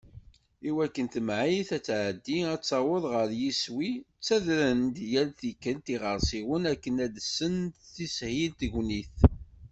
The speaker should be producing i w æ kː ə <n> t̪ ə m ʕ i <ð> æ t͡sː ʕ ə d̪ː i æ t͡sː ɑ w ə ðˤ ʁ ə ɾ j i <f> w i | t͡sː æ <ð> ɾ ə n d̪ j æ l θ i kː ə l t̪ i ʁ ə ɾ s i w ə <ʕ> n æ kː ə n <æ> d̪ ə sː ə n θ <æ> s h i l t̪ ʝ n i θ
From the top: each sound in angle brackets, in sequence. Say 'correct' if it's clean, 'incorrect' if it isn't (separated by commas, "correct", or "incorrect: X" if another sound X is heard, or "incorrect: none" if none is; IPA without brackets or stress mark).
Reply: correct, incorrect: θ, incorrect: s, correct, incorrect: none, correct, incorrect: i